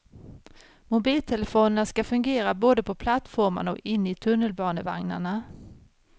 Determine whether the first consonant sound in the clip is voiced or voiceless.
voiced